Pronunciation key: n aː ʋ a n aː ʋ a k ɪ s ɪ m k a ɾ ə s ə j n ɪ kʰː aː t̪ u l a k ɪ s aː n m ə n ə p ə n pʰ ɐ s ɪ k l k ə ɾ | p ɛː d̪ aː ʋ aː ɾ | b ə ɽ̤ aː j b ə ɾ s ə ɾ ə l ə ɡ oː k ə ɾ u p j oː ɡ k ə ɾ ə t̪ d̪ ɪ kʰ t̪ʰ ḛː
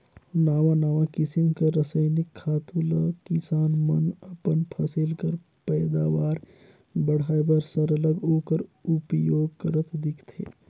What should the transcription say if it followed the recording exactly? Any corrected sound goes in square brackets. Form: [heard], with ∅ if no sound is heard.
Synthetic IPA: n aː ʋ a n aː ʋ a k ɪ s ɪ m k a ɾ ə s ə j n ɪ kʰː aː t̪ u l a k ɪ s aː n m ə n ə p ə n pʰ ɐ s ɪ [∅] l k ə ɾ | p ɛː d̪ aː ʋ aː ɾ | b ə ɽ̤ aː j b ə ɾ s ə ɾ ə l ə ɡ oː k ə ɾ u p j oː ɡ k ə ɾ ə t̪ d̪ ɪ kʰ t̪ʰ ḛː